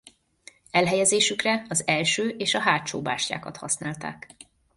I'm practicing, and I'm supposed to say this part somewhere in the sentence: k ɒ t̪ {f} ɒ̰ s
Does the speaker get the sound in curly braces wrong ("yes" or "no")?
yes